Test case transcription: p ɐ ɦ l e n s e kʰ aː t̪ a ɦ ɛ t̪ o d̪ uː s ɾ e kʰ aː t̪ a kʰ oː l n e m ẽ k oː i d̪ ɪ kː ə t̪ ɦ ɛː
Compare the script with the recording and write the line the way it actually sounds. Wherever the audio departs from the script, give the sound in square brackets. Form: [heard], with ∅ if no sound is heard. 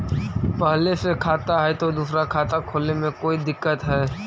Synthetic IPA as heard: p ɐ ɦ l e [∅] s e kʰ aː t̪ a ɦ ɛ t̪ o d̪ uː s ɾ [a] kʰ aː t̪ a kʰ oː l n e m ẽ k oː i d̪ ɪ kː ə t̪ ɦ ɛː